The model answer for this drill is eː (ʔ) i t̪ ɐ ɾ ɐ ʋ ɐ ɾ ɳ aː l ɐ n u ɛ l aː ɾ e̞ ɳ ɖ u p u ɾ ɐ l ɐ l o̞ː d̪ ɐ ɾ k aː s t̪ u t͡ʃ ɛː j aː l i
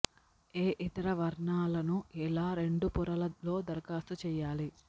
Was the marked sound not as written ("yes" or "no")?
no